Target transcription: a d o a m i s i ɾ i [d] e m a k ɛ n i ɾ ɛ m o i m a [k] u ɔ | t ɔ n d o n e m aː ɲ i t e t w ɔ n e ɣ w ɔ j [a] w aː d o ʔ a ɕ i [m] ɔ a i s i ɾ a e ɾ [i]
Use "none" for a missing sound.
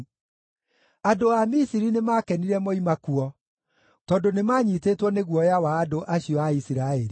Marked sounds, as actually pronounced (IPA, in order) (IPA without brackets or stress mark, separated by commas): n, k, a, none, i